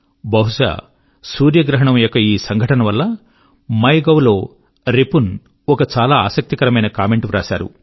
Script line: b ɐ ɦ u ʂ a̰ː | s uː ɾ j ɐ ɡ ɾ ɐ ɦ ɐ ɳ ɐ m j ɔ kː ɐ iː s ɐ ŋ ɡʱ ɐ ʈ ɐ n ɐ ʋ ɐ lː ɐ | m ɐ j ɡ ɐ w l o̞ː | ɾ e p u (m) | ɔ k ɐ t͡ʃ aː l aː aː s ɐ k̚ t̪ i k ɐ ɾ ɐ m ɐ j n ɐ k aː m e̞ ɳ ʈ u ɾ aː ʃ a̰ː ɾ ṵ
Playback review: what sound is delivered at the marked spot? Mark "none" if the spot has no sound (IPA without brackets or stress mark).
n